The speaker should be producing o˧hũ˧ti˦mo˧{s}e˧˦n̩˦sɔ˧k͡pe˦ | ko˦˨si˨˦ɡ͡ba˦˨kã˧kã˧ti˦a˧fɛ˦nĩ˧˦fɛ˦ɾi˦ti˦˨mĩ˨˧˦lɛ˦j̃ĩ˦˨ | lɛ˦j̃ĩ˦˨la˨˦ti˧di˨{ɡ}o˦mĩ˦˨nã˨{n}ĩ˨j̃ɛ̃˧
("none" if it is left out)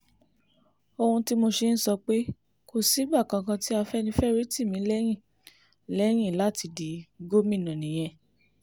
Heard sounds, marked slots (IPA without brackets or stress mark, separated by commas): ʃ, ɡ, n